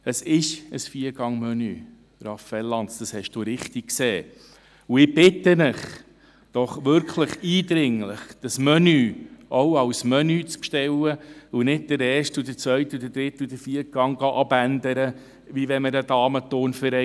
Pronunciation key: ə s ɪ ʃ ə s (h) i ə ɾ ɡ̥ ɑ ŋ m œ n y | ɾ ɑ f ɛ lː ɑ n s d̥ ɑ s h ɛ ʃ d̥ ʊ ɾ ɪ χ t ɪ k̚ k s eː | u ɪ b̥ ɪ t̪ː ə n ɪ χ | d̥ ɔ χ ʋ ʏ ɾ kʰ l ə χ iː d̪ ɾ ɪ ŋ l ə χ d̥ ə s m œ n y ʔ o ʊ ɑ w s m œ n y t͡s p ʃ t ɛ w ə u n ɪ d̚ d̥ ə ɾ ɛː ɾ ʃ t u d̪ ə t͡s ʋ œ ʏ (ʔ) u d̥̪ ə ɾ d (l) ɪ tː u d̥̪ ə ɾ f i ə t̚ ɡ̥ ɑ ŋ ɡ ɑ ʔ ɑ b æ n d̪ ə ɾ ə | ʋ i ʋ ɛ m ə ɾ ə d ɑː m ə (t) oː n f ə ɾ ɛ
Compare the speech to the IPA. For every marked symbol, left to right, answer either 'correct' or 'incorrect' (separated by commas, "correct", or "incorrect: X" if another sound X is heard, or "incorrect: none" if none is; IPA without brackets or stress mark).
incorrect: f, incorrect: t, incorrect: ɾ, correct